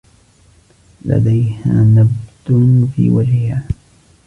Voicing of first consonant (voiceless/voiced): voiced